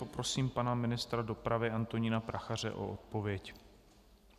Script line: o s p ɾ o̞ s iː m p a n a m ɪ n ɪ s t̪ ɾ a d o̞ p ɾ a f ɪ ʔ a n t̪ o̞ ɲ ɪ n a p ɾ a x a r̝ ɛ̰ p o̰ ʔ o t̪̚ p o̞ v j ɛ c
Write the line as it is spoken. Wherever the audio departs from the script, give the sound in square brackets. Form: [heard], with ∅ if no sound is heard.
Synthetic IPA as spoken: o [∅] p ɾ o̞ s iː m p a n a m ɪ n ɪ s t̪ ɾ a d o̞ p ɾ a [v] ɪ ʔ a n t̪ o̞ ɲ ɪ n a p ɾ a x a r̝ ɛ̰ [ʔ] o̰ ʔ o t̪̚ p o̞ v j ɛ c

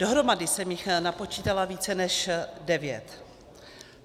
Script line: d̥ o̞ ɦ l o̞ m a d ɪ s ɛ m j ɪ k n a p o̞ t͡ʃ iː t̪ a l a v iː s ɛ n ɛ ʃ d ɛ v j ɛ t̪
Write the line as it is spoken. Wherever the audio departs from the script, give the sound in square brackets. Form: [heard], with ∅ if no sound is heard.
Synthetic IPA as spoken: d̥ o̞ ɦ [ɾ] o̞ m a d ɪ s ɛ m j ɪ [x] n a p o̞ t͡ʃ iː t̪ a l a v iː [t͡s] ɛ n ɛ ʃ d ɛ v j ɛ t̪

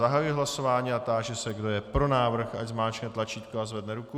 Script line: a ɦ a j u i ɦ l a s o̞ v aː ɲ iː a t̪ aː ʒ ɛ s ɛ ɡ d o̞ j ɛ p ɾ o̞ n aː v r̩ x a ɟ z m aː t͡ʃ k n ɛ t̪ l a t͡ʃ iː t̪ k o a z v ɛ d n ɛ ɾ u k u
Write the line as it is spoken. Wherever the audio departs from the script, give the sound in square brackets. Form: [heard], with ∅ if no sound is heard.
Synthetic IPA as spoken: a ɦ a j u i ɦ l a s o̞ v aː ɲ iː a t̪ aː ʒ ɛ s ɛ ɡ d o̞ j ɛ p ɾ o̞ n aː v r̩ x a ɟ z m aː t͡ʃ k n ɛ t̪ l a t͡ʃ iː t̪ k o a z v ɛ d n ɛ ɾ u k u

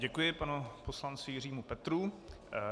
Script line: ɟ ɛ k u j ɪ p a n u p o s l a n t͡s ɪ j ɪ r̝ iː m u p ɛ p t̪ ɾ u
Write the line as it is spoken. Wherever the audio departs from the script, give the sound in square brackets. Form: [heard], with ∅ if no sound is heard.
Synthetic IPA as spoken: ɟ ɛ k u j ɪ p a n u p o s l a n t͡s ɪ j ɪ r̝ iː m u p ɛ [∅] t̪ ɾ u

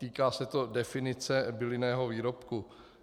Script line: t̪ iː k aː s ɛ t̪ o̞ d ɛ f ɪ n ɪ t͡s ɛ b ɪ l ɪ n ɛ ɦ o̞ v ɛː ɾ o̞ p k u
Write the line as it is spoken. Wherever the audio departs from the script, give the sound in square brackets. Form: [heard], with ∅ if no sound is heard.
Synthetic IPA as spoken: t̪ iː k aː s ɛ t̪ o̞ d ɛ f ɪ n ɪ t͡s ɛ b ɪ l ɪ n [ɛː] ɦ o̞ v [iː] ɾ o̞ p k u

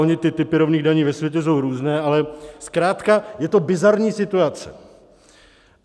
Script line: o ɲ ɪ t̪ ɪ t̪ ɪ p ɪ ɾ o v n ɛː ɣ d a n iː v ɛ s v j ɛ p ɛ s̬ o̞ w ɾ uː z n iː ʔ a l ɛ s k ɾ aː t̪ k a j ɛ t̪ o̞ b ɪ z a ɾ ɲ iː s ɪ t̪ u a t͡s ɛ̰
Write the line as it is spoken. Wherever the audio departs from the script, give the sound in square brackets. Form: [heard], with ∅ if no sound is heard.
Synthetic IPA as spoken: o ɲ ɪ t̪ ɪ t̪ ɪ p ɪ ɾ o v n [iː] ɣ d a [ɲ] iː v ɛ s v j ɛ [c] ɛ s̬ o̞ w ɾ uː z n [ɛː] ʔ a l ɛ s k ɾ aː t̪ k a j ɛ t̪ o̞ b ɪ z a ɾ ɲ iː s ɪ t̪ u a t͡s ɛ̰

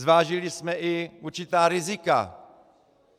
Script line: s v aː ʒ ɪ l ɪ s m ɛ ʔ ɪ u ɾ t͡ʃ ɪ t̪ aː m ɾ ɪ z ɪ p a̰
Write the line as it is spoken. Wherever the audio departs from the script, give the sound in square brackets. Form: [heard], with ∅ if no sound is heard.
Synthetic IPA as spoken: [z] v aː ʒ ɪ l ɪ s m ɛ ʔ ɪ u ɾ t͡ʃ ɪ t̪ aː [∅] ɾ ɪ z ɪ [k] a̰

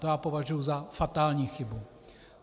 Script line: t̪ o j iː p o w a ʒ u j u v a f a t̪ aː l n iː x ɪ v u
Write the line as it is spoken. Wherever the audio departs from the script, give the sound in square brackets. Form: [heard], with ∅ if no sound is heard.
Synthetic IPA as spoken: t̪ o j [aː] p o [v] a ʒ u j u [z] a f a t̪ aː l [ɲ] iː x ɪ [b] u

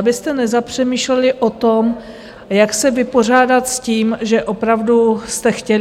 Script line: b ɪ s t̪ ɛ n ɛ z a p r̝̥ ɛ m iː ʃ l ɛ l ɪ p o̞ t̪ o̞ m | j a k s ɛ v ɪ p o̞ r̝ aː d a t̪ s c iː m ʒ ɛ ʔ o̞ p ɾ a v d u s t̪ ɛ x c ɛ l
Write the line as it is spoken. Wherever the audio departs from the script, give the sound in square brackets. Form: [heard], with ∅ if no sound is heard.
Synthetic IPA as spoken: b ɪ s t̪ ɛ n ɛ z a p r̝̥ ɛ m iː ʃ l ɛ l ɪ [ʔ] o̞ t̪ o̞ m | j a k s ɛ v ɪ p o̞ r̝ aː d a t̪ s c iː m ʒ ɛ ʔ o̞ p ɾ a v d u s t̪ ɛ x c ɛ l

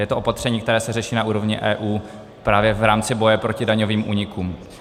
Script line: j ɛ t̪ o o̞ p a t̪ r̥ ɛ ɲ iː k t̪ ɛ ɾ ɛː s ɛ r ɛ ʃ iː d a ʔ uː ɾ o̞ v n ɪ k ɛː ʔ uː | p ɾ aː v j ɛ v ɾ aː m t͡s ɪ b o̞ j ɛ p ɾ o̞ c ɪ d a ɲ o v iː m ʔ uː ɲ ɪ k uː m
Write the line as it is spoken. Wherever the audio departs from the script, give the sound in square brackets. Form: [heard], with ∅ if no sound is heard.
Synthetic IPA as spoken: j ɛ t̪ o o̞ p a t̪ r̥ ɛ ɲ iː k t̪ ɛ ɾ ɛː s ɛ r ɛ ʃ iː [n] a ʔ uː ɾ o̞ v [ɲ] ɪ [ʔ] ɛː ʔ uː | p ɾ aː v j ɛ v ɾ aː m t͡s ɪ b o̞ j ɛ p ɾ o̞ c ɪ d a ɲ o v iː m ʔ uː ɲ ɪ k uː m

